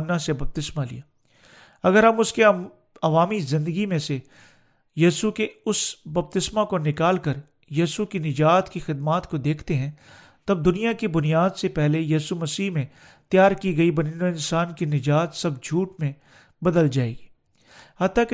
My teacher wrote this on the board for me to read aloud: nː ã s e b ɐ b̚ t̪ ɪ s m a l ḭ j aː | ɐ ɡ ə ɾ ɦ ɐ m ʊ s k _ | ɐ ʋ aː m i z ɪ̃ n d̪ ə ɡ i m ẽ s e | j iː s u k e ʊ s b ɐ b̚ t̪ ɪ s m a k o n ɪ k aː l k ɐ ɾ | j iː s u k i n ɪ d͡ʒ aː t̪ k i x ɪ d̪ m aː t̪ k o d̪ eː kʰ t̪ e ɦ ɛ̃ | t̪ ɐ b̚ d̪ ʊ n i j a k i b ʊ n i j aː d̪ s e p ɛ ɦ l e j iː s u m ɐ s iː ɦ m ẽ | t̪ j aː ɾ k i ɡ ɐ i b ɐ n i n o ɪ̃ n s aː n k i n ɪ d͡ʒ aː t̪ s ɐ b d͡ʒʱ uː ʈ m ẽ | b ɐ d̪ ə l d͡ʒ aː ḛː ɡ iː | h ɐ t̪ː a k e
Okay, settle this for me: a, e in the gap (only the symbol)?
e